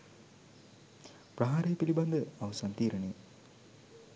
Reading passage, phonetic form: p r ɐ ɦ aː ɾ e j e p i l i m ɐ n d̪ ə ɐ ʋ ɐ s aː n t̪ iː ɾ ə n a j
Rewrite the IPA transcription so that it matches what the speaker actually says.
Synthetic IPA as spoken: p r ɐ ɦ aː ɾ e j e p i l i b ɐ n d̪ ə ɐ ʋ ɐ s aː n t̪ iː ɾ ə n e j

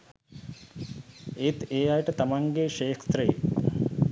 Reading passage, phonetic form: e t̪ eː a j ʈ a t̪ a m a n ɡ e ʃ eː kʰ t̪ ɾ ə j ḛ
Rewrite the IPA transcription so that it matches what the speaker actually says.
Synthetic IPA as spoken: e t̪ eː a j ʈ ə t̪ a m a ŋ ɡ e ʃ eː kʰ t̪ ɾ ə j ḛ

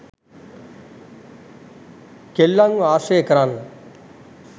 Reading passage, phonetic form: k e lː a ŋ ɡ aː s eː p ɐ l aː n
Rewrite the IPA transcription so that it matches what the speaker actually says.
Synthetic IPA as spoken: k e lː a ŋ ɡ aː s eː k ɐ ɾ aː n

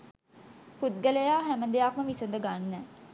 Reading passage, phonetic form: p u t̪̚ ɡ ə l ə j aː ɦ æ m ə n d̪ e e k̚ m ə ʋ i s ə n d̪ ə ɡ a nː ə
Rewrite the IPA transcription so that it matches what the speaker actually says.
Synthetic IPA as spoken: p u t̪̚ ɡ ə l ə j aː ɦ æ m ə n d̪ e a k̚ m ə ʋ i s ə n d̪ ə ɡ a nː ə

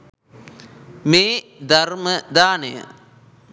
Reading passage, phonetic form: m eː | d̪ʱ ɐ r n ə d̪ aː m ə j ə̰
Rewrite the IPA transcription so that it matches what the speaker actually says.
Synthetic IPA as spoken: m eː | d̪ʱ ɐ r m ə d̪ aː n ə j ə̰

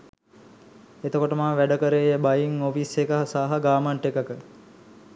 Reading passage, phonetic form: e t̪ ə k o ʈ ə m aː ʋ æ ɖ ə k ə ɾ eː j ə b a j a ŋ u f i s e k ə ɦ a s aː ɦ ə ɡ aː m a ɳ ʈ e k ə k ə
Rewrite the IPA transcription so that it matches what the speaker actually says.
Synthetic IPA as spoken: e t̪ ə k o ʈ ə m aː ʋ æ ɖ ə k ə ɾ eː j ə b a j i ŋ o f i s e k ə ɦ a s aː ɦ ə ɡ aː m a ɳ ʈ e k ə k ə

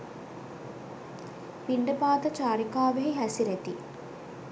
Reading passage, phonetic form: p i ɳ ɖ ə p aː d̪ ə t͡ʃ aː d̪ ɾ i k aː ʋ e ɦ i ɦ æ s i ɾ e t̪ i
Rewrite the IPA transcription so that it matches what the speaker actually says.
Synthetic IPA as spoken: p i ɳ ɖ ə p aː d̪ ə t͡ʃ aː ɾ i k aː ʋ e ɦ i ɦ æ s i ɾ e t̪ i

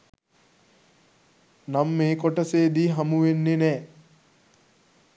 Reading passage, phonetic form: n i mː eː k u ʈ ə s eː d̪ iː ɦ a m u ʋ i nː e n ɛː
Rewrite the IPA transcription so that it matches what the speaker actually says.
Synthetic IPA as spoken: n a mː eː k o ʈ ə s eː d̪ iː ɦ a m u ʋ e nː e n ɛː

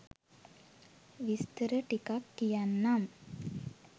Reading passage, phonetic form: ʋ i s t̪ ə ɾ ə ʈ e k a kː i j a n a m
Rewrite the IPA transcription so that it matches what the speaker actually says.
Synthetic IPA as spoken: ʋ i s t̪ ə ɾ ə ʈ i k a kː i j a nː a m

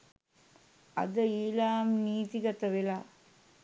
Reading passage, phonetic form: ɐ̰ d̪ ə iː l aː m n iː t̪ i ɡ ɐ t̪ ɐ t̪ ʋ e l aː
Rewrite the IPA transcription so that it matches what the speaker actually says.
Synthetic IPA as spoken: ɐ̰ d̪ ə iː l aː m n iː t̪ i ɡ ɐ t̪ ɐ ʋ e l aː

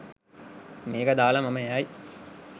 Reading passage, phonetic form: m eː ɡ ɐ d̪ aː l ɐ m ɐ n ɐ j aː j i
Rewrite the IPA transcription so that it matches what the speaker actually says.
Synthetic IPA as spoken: m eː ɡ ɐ d̪ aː l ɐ m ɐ m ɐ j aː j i

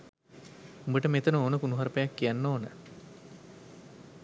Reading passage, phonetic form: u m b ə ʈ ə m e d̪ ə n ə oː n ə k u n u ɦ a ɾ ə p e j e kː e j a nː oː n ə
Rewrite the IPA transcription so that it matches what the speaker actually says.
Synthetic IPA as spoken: u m b ə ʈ ə m e t̪ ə n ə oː n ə k u n u ɦ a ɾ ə p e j a kː i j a nː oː n ə

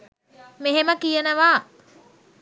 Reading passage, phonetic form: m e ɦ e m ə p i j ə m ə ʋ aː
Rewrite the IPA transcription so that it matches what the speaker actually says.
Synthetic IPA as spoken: m e ɦ e m ə k i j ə n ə ʋ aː

